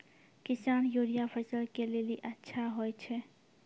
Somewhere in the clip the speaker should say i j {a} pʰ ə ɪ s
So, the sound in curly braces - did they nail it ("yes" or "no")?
yes